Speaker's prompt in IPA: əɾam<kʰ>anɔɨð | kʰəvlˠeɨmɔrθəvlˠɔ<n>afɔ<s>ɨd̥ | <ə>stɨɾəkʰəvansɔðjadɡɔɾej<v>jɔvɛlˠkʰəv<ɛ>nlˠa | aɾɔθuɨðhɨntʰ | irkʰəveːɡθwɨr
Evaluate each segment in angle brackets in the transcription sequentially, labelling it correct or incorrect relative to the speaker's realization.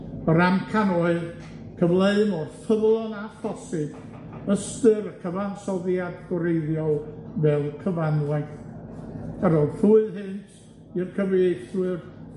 correct, correct, correct, correct, incorrect: ð, incorrect: a

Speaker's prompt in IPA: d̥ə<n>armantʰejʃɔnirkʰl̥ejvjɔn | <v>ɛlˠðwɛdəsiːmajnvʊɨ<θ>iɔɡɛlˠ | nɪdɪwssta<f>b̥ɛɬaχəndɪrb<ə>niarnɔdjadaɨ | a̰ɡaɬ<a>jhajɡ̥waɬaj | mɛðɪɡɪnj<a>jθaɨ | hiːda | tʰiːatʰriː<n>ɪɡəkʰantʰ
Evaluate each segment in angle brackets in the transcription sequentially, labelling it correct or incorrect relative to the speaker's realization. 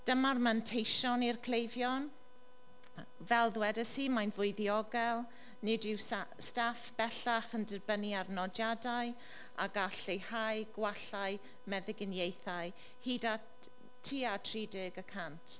incorrect: m, correct, incorrect: ð, correct, correct, incorrect: e, incorrect: e, incorrect: d

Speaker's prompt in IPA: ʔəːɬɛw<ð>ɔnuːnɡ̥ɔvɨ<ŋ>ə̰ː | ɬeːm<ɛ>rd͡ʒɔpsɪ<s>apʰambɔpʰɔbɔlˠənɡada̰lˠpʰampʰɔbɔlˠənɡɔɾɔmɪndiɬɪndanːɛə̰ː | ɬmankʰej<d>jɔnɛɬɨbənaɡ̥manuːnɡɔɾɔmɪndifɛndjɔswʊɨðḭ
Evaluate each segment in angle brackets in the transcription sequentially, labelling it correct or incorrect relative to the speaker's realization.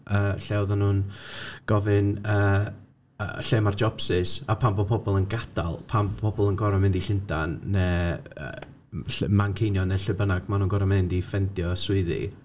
correct, incorrect: n, incorrect: a, correct, incorrect: n

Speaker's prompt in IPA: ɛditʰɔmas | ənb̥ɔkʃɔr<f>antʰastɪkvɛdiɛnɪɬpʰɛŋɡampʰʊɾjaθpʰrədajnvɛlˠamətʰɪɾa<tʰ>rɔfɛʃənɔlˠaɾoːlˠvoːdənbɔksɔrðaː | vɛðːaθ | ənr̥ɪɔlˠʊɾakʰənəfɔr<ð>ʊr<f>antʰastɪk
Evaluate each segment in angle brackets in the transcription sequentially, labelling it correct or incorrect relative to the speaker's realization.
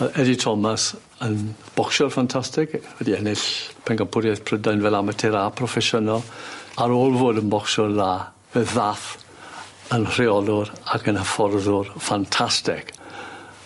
correct, incorrect: pʰ, correct, correct

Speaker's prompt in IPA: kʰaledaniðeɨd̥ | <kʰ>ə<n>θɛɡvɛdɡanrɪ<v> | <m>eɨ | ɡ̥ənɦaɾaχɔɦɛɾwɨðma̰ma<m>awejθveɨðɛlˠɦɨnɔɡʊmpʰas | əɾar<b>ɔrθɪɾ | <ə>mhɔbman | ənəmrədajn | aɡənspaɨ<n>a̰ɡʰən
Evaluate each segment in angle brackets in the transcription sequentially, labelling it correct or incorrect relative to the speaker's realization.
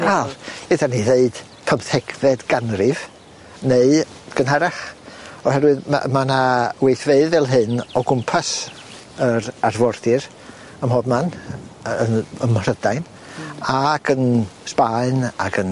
incorrect: pʰ, incorrect: m, correct, incorrect: n, incorrect: n, incorrect: v, correct, correct

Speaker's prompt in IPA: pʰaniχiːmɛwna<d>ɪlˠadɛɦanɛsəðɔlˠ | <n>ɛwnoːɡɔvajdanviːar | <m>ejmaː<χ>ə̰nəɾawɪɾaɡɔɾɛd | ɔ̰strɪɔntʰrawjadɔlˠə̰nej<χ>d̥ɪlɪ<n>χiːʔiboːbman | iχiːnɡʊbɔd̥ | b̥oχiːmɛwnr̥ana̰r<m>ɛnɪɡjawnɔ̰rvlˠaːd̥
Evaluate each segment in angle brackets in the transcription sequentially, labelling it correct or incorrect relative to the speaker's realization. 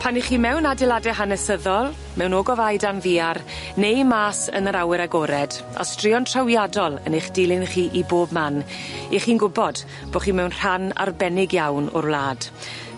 correct, incorrect: m, incorrect: n, incorrect: s, correct, correct, incorrect: b

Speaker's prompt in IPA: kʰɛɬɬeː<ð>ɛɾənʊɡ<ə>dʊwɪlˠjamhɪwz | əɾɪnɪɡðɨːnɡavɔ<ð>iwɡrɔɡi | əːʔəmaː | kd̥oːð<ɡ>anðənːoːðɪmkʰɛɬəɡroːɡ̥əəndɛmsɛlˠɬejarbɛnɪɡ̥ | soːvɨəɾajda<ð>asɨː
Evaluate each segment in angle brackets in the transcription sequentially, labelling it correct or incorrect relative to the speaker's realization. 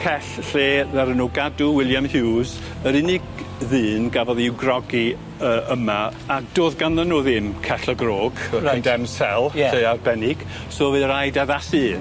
correct, incorrect: a, correct, correct, correct

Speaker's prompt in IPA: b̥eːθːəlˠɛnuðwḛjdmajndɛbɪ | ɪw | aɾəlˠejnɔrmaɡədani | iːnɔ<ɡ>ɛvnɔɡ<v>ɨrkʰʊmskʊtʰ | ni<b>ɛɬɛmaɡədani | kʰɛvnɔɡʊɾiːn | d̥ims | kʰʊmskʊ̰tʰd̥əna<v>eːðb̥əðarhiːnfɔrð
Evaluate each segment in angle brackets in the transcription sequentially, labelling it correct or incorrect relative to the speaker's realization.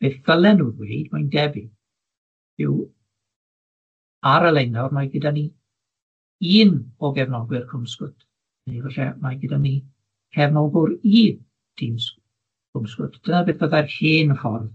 correct, incorrect: w, incorrect: v, incorrect: b

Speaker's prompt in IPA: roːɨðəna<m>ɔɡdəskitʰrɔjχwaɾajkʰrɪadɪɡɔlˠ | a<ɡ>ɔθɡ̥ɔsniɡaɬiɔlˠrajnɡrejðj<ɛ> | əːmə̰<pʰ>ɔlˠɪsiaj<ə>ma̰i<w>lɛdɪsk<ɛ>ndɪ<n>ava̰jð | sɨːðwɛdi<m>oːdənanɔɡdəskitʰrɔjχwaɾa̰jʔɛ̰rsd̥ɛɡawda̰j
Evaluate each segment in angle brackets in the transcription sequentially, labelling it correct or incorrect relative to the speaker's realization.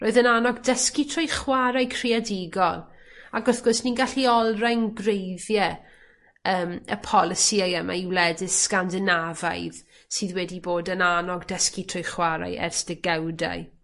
incorrect: n, correct, correct, correct, correct, correct, incorrect: a, correct, incorrect: b

